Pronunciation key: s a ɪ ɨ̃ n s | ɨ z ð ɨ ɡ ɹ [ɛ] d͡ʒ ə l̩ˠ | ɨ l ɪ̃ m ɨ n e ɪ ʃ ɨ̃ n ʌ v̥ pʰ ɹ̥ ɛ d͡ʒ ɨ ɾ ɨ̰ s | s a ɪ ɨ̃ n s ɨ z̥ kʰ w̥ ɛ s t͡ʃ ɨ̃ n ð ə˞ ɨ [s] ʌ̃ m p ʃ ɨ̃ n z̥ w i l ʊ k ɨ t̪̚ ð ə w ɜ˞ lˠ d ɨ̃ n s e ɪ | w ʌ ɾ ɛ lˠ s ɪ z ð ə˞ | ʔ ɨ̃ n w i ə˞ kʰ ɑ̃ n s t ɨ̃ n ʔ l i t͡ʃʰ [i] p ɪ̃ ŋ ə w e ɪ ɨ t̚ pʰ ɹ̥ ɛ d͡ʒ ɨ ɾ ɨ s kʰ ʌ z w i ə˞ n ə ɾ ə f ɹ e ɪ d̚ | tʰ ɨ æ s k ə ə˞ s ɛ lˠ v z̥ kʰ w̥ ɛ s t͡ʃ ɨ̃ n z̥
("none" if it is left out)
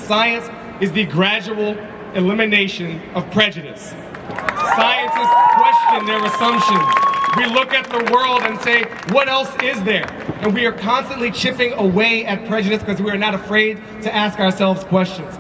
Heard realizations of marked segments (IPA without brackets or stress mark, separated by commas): æ, s, ɪ